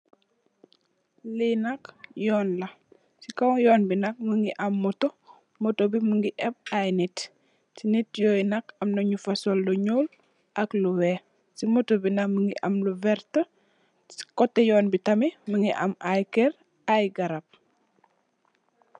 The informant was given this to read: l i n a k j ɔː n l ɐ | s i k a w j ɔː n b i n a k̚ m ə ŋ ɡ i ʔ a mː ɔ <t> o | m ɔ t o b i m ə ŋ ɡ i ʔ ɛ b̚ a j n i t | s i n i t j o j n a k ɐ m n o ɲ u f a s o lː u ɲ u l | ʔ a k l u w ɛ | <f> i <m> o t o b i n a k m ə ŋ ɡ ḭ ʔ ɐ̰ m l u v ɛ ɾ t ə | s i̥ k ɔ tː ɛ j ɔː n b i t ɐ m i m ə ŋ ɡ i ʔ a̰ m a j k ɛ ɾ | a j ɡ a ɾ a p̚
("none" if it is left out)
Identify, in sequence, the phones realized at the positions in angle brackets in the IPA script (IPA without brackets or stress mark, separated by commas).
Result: t, s, m